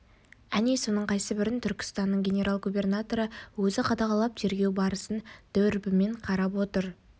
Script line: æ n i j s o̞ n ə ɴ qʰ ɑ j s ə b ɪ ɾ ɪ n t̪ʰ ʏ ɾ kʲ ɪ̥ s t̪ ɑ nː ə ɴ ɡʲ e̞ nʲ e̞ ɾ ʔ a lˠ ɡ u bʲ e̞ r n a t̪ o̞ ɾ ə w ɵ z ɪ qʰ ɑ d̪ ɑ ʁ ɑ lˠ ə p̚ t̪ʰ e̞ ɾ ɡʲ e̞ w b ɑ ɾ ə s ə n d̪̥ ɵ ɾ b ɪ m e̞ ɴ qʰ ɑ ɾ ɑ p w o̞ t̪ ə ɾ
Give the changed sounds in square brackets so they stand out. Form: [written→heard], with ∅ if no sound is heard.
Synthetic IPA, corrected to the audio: æ n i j s o̞ n ə ɴ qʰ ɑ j s ə b ɪ ɾ ɪ n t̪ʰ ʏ ɾ kʲ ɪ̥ s t̪ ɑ nː ə ɴ ɡʲ e̞ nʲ e̞ ɾ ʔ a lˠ ɡ u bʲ e̞ r n a t̪ o̞ ɾ ə w ɵ z ɪ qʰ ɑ d̪ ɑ ʁ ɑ lˠ [ə→ɑ] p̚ t̪ʰ e̞ ɾ ɡʲ e̞ w b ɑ ɾ ə s ə n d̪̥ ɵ ɾ b ɪ m e̞ ɴ qʰ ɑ ɾ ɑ p w o̞ t̪ ə ɾ